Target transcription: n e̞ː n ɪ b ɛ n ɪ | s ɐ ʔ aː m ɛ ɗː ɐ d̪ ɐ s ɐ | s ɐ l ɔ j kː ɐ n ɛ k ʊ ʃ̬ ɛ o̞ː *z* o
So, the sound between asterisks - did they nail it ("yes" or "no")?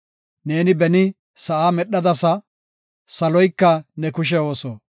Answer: no